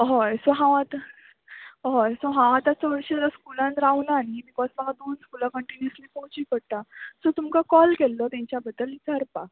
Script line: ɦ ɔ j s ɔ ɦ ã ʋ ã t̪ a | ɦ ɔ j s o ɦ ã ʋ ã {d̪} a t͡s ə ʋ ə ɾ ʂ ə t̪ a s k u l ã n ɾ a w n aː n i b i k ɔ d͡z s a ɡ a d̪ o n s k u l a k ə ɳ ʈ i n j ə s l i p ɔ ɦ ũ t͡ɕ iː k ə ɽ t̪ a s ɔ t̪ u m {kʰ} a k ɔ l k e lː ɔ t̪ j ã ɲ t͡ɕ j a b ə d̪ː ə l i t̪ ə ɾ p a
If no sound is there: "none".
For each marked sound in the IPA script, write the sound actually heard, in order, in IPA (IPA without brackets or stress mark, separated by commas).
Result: t̪, k